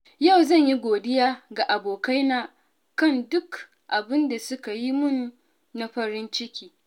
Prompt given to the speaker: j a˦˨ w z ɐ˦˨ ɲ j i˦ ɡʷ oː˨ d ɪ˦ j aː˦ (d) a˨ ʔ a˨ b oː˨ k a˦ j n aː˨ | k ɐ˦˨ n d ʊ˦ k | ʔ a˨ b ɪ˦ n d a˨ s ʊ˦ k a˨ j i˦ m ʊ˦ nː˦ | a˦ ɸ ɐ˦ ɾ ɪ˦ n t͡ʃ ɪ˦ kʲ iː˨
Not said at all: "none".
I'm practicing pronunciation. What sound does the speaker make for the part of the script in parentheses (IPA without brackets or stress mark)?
ɡ